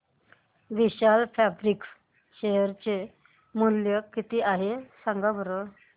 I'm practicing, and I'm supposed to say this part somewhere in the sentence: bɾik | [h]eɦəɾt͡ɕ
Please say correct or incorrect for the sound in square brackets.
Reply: incorrect: ɕ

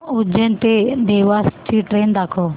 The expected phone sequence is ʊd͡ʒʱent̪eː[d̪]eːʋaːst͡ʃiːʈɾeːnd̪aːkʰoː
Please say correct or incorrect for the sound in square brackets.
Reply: correct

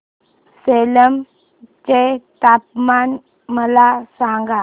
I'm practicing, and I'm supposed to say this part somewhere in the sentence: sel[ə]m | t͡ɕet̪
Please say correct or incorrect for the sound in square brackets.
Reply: correct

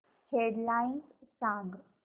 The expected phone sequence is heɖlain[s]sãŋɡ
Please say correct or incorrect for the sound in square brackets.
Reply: correct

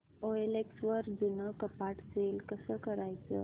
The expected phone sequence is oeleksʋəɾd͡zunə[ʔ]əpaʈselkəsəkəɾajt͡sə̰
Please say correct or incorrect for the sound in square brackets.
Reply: incorrect: k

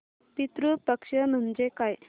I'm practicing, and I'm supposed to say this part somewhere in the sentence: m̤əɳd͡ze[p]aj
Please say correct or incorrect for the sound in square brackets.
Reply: incorrect: k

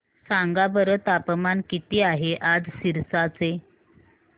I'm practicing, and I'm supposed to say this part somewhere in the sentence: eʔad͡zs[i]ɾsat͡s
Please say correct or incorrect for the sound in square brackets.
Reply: correct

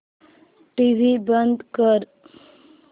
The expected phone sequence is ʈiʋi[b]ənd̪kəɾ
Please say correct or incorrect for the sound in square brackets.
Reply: correct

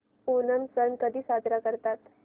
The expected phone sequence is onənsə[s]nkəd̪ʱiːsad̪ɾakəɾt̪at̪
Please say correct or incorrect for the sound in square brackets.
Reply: incorrect: none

